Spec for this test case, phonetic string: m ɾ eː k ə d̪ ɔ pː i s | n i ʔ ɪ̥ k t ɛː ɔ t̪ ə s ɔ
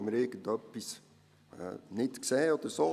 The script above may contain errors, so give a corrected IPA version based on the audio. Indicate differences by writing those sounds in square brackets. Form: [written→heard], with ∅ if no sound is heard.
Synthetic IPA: m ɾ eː k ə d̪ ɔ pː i s | n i [ʔ→t] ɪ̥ k [t→s] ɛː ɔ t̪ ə s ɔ